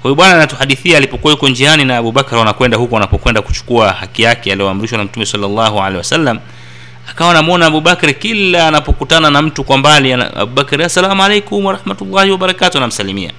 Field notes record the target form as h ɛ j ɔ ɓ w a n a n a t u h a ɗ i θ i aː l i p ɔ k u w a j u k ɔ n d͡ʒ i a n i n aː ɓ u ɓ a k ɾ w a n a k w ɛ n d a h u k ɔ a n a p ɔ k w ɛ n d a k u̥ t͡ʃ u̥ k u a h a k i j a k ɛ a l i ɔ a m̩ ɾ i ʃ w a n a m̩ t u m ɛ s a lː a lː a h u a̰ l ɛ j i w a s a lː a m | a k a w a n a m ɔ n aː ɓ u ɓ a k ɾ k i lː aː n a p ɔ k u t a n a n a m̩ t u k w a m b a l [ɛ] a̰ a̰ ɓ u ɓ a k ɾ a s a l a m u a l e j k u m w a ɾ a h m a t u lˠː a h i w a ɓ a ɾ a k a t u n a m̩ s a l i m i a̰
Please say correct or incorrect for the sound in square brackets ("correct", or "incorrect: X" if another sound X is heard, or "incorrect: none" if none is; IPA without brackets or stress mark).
incorrect: i